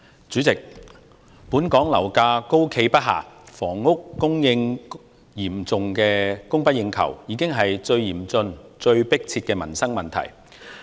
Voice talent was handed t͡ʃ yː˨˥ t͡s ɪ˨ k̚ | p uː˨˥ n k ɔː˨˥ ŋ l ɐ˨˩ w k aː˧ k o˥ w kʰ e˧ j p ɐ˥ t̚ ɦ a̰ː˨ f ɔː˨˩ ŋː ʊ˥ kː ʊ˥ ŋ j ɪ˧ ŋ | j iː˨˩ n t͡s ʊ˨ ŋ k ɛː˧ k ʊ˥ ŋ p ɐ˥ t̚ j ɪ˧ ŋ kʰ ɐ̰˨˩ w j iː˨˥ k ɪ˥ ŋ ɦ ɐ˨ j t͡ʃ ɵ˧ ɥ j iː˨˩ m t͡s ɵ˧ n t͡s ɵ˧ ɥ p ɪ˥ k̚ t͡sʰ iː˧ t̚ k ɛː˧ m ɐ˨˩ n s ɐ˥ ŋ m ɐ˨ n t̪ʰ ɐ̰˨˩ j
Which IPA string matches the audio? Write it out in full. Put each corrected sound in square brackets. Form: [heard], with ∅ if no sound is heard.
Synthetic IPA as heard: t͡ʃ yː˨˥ t͡s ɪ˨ k̚ | p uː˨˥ n k ɔː˨˥ ŋ l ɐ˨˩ w k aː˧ k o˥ w kʰ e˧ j p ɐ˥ t̚ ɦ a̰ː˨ f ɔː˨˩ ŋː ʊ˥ kː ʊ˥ ŋ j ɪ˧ ŋ | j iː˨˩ [m] t͡s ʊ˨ ŋ k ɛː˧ k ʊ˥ ŋ p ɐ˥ t̚ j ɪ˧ ŋ kʰ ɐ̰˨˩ w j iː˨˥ k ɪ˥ ŋ ɦ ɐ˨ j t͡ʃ ɵ˧ ɥ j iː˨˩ m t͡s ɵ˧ n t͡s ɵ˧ ɥ p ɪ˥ k̚ t͡sʰ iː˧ t̚ k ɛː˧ m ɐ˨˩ n s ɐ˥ ŋ m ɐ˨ n t̪ʰ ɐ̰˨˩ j